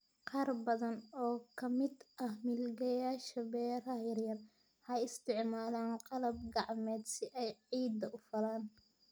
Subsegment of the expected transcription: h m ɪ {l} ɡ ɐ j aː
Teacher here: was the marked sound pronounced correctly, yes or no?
yes